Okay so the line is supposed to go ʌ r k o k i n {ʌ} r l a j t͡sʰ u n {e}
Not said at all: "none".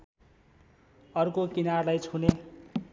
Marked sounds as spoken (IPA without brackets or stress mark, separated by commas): a, e